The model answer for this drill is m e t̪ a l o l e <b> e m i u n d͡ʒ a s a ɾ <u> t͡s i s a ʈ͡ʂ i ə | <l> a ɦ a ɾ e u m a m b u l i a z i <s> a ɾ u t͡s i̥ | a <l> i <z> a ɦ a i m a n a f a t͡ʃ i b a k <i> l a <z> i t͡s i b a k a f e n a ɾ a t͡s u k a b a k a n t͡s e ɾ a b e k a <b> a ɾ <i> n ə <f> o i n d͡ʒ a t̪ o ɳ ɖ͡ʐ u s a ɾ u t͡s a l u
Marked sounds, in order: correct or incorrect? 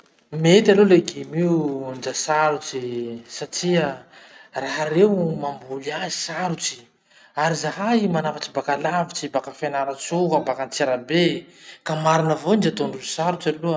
incorrect, correct, incorrect, correct, incorrect, correct, incorrect, incorrect, incorrect, correct, incorrect

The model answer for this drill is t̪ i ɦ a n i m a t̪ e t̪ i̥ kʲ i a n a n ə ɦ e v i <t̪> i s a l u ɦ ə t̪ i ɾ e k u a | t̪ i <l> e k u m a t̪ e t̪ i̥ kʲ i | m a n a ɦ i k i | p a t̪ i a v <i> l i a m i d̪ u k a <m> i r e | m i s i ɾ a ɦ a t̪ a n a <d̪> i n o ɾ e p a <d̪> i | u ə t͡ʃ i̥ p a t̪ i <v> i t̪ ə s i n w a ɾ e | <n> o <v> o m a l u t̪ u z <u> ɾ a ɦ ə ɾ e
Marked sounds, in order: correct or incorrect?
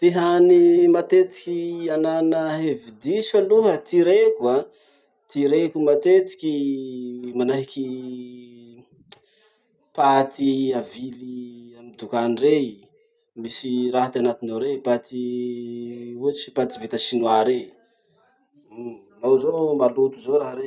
incorrect, incorrect, correct, incorrect, incorrect, incorrect, correct, correct, incorrect, incorrect

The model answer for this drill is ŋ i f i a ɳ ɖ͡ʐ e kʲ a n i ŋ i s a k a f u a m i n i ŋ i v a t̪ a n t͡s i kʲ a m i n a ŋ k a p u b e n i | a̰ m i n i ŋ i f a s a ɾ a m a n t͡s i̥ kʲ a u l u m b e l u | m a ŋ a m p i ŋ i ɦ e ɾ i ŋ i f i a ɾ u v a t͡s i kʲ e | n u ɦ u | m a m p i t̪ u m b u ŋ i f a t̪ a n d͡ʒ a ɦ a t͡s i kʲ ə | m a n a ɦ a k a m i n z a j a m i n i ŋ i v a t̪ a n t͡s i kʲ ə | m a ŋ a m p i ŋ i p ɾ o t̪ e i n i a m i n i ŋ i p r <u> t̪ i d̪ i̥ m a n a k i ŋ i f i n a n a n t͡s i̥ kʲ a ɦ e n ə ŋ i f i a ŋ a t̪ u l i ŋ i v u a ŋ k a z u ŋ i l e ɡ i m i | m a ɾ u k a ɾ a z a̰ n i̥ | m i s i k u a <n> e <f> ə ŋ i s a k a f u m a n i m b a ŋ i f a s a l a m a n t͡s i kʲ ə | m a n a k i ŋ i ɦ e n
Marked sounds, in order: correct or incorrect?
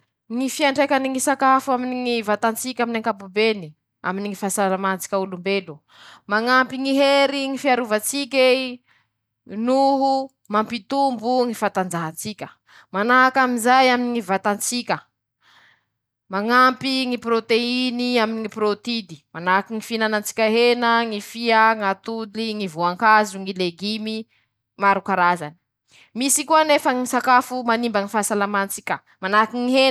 incorrect, correct, correct

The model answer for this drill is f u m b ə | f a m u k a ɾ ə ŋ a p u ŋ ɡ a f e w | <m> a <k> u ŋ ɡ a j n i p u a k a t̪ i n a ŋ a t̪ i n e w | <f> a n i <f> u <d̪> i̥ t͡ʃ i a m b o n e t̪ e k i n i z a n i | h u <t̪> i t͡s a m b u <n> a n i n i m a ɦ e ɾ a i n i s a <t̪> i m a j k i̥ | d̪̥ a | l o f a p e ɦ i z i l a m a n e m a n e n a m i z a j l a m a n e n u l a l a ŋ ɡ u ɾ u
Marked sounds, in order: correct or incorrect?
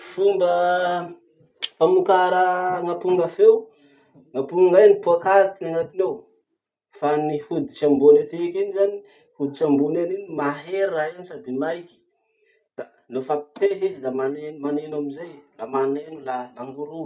incorrect, incorrect, correct, incorrect, correct, incorrect, correct, incorrect

